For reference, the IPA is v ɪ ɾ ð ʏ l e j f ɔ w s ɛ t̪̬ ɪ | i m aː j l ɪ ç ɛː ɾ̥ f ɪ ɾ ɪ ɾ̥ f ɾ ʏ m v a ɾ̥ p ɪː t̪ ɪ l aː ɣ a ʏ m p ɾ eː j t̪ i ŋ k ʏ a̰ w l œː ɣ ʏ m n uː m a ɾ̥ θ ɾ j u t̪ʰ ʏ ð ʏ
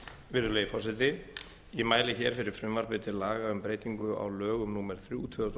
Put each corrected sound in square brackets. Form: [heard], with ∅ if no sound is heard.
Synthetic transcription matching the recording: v ɪ ɾ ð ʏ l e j f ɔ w s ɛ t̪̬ ɪ | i m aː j l ɪ ç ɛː ɾ̥ f ɪ ɾ ɪ ɾ̥ f ɾ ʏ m v a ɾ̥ p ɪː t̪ ɪ l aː ɣ a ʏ m p ɾ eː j t̪ i ŋ k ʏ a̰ w l œː ɣ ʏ m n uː m [ɛ] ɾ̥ θ ɾ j u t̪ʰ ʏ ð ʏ